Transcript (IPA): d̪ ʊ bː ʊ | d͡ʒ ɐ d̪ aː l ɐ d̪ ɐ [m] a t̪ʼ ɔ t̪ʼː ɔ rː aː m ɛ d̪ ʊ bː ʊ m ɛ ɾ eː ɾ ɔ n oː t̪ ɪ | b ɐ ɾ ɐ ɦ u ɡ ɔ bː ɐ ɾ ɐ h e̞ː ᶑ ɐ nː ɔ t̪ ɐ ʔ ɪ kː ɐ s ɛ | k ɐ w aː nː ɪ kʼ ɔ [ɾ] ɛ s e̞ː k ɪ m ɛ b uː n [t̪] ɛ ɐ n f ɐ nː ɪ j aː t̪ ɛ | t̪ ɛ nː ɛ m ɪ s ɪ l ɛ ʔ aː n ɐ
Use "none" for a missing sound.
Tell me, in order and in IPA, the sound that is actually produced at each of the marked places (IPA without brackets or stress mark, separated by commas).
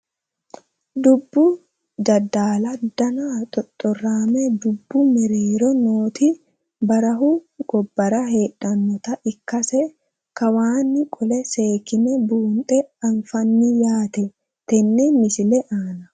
n, l, t̪ʼ